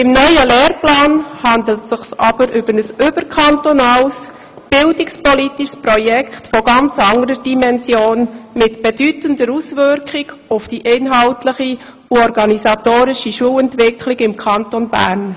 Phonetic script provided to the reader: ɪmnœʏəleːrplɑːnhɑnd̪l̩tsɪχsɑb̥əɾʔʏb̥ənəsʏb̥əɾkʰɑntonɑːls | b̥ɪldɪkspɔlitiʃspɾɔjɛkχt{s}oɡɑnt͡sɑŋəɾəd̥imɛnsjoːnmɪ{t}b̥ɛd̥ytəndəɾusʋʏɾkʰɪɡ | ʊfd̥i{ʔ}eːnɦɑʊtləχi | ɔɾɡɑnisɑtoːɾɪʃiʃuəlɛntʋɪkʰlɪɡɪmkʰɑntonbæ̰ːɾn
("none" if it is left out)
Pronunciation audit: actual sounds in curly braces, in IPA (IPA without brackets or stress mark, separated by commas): f, t, ʔ